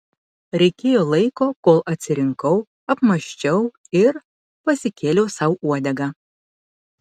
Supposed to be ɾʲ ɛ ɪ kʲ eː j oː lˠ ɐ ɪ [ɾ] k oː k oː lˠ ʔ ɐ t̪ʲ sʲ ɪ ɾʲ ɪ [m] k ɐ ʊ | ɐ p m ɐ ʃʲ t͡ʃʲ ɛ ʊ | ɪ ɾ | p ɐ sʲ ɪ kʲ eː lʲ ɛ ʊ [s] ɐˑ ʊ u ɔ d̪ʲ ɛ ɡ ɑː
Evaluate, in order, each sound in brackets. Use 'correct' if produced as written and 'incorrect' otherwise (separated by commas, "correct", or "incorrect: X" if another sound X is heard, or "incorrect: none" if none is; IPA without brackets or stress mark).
incorrect: none, incorrect: ŋ, correct